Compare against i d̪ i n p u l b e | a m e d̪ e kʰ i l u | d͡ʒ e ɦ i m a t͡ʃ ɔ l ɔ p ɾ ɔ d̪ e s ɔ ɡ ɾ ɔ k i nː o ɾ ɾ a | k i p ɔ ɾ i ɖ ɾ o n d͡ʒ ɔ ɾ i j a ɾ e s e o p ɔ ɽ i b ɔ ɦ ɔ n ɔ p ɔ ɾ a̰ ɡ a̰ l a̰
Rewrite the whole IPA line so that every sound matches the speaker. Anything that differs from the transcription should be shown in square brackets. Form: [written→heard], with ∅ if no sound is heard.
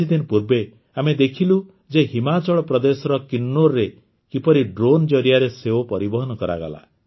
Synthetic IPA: i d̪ i n p u [l→ɾ] b e | a m e d̪ e kʰ i l u | d͡ʒ e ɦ i m a t͡ʃ ɔ [l→ɭ] ɔ p ɾ ɔ d̪ e s ɔ [ɡ→∅] ɾ ɔ k i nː o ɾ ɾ [a→e] | k i p ɔ ɾ i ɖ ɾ o n d͡ʒ ɔ ɾ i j a ɾ e s e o p ɔ [ɽ→ɾ] i b ɔ ɦ ɔ n ɔ [p→k] ɔ ɾ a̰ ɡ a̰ l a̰